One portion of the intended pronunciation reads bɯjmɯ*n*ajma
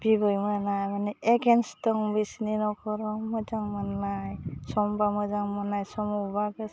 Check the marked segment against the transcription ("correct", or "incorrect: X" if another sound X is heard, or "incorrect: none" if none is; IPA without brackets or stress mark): correct